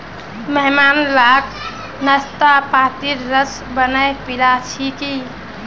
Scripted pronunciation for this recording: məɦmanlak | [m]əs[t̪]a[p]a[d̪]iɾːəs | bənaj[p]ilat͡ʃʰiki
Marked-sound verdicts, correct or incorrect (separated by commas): incorrect, correct, correct, incorrect, correct